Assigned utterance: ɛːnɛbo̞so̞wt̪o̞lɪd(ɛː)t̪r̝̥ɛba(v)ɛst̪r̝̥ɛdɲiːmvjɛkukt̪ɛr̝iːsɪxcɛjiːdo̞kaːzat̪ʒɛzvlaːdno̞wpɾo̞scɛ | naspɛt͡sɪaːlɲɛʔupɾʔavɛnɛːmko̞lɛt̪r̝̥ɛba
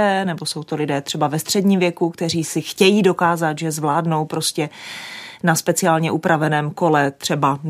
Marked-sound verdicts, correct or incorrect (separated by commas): correct, correct